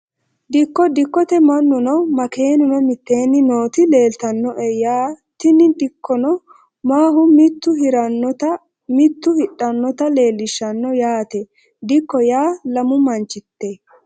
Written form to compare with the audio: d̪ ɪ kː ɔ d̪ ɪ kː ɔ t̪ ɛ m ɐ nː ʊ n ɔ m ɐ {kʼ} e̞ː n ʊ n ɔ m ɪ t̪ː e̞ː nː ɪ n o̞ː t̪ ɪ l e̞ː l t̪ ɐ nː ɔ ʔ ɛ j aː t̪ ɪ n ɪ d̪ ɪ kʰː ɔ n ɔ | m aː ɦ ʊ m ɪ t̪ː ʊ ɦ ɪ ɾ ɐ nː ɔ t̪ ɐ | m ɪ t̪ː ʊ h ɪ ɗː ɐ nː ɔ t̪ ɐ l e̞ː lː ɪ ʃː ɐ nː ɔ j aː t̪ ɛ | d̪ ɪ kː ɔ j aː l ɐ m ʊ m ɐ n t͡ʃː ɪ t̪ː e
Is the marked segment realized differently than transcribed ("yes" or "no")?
yes